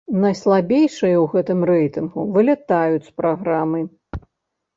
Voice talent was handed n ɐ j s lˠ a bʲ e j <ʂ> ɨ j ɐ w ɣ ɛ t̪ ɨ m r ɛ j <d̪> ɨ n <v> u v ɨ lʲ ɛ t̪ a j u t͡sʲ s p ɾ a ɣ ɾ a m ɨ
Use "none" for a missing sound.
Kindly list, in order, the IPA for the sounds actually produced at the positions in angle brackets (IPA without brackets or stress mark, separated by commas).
ʂ, t̪, ɣ